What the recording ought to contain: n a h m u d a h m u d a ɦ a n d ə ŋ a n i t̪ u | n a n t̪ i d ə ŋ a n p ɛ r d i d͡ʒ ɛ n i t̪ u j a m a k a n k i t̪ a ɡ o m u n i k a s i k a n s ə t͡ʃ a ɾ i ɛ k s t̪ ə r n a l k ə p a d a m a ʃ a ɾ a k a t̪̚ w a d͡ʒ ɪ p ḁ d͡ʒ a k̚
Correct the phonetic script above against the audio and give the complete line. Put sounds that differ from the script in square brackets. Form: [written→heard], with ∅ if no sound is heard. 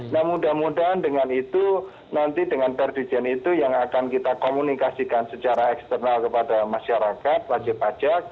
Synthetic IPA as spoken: n a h m u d a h m u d a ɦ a n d ə ŋ a n i t̪ u | n a n t̪ i d ə ŋ a n p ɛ r d i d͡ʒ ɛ n i t̪ u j a [m→ŋ] a k a n k i t̪ a [ɡ→k] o m u n i k a s i k a n s ə t͡ʃ a ɾ [i→a] ɛ k s t̪ ə r n a l k ə p a d a m a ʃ a ɾ a k a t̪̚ w a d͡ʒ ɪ p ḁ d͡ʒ a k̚